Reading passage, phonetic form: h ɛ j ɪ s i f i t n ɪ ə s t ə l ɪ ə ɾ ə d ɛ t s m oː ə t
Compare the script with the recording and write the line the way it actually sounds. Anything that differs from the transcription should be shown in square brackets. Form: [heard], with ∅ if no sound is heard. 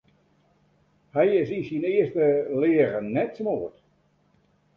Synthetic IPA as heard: h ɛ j ɪ s i [s] i [∅] n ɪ ə s t ə l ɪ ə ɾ ə [n] ɛ t s m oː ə t